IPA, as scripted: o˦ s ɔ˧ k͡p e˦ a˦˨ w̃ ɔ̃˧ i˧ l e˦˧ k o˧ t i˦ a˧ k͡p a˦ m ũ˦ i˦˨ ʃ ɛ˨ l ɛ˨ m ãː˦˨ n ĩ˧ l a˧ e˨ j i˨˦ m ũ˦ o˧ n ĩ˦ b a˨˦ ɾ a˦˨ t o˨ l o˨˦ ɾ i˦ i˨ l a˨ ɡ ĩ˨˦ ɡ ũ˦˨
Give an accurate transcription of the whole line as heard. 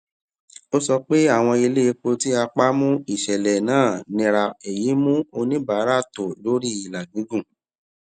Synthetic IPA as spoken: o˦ s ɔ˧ k͡p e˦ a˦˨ w̃ ɔ̃˧ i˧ l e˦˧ k͡p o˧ t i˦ a˧ k͡p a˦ m ũ˦ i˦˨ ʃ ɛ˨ l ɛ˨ n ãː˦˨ n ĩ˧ ɾ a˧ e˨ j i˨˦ m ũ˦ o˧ n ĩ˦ b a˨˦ ɾ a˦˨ t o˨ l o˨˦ ɾ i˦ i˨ l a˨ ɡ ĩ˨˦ ɡ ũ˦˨